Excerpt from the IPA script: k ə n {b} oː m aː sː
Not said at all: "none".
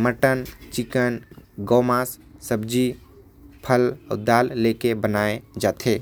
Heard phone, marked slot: ɡ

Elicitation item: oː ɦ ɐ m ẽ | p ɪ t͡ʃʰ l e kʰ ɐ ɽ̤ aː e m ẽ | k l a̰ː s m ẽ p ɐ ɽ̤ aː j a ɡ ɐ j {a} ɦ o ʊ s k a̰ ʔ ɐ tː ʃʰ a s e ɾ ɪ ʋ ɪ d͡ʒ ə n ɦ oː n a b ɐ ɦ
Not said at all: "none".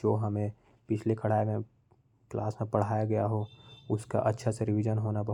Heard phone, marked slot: a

